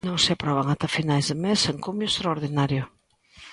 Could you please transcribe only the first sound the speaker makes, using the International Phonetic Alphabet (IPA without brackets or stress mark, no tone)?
n